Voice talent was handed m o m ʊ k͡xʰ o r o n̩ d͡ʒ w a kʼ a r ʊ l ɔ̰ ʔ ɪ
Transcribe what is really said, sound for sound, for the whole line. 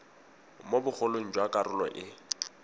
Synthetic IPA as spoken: m o b ʊ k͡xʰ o l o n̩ d͡ʒ w a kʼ a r ʊ l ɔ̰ ʔ ɪ